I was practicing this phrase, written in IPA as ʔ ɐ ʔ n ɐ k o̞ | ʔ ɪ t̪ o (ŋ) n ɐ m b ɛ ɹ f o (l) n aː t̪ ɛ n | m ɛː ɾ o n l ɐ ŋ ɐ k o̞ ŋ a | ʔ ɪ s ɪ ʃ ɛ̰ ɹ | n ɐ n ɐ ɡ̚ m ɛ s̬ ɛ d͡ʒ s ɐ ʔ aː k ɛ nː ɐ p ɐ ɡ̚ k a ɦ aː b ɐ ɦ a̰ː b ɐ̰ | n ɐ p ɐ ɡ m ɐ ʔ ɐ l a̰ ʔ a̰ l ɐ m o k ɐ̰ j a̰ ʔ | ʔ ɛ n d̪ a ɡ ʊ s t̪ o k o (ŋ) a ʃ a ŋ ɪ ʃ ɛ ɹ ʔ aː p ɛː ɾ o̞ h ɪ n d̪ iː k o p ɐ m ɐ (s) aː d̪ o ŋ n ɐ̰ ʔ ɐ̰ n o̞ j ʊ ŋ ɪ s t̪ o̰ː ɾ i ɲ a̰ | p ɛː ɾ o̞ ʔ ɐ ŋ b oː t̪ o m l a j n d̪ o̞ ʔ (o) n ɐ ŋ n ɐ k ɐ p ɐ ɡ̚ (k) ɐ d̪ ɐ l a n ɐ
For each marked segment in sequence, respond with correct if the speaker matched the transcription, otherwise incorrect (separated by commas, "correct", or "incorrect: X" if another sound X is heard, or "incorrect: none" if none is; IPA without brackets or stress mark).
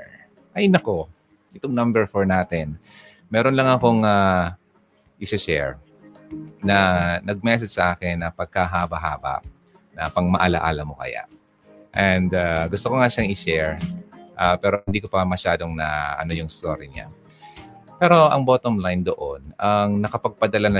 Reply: correct, incorrect: ɹ, correct, incorrect: ʃ, correct, incorrect: p